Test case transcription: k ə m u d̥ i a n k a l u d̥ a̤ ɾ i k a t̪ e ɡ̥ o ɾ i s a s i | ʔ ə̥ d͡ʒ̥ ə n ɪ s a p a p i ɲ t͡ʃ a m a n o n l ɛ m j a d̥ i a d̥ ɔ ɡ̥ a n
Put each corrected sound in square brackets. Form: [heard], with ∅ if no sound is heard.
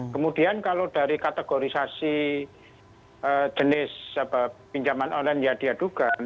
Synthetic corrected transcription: k ə m u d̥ i a n k a l [o] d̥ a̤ ɾ i k a t̪ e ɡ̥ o ɾ i s a s i | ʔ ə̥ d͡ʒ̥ ə n ɪ s a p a p i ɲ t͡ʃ a m a n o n l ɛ [n] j a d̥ i a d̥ [u] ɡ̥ a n